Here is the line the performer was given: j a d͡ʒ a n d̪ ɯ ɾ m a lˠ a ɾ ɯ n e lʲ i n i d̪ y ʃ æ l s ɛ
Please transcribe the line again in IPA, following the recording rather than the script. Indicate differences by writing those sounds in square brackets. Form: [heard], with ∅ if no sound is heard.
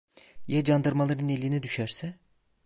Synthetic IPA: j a d͡ʒ a n d̪ ɯ ɾ m a lˠ a ɾ ɯ n e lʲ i n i d̪ y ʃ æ [ɾ] s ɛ